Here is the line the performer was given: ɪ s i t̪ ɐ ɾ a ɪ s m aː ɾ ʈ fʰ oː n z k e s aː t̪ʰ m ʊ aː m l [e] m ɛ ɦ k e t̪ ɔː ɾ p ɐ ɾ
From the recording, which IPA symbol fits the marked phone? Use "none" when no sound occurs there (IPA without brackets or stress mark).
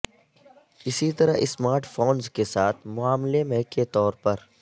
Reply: e